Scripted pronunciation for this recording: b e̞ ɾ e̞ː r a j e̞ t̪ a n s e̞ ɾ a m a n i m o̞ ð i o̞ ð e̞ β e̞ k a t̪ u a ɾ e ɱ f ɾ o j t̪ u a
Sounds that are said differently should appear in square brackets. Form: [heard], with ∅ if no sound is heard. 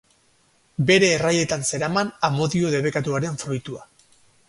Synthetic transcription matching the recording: b e̞ ɾ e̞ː r a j e̞ t̪ a n s e̞ ɾ a m a n [a] m o̞ ð i o̞ ð e̞ β e̞ k a t̪ u a ɾ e ɱ f ɾ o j t̪ u a